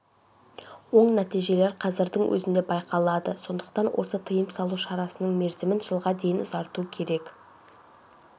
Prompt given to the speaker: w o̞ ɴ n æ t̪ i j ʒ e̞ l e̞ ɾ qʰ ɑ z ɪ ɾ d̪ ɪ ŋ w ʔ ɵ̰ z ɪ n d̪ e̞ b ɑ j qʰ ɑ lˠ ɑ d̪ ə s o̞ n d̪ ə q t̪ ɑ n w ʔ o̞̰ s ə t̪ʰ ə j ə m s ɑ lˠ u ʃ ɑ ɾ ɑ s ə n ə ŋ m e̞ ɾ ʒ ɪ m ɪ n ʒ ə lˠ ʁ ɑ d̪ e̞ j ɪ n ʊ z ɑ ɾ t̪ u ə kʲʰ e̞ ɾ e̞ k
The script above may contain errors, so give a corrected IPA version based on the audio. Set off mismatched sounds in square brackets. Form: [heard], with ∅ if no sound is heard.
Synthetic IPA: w o̞ ɴ n æ t̪ i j ʒ e̞ l e̞ ɾ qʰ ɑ z ɪ ɾ d̪ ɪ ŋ w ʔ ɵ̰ z ɪ n d̪ e̞ b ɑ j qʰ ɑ lˠ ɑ d̪ ə s o̞ n d̪ ə q t̪ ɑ n w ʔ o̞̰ s ə t̪ʰ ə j ə m s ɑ lˠ u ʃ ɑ ɾ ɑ s ə n ə [ɴ] m e̞ ɾ [z] ɪ m ɪ n ʒ ə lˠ ʁ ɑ d̪ e̞ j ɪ n ʊ z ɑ ɾ t̪ u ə kʲʰ e̞ ɾ e̞ k